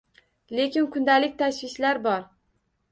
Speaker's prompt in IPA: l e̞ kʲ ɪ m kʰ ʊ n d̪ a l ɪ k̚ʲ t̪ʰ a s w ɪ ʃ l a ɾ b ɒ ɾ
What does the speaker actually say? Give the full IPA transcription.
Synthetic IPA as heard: l e̞ kʲ ɪ n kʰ ʊ n d̪ a l ɪ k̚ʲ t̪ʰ a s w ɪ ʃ l a ɾ b ɒ ɾ